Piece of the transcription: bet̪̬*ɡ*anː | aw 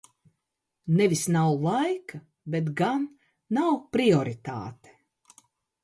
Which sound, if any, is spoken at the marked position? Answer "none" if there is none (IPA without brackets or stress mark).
ɡ